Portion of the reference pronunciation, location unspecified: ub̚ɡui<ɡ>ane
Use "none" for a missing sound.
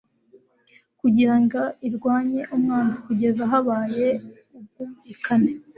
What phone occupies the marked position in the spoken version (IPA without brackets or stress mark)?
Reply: k